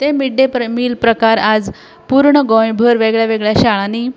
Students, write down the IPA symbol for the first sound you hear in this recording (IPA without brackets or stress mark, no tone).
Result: t̪